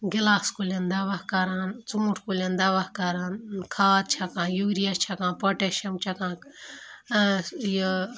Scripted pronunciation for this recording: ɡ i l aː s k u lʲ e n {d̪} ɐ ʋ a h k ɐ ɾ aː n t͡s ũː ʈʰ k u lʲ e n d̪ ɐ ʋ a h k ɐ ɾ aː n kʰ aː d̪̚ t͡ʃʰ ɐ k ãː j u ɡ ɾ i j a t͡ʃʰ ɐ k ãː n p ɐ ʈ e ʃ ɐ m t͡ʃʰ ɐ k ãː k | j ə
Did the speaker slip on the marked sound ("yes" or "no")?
no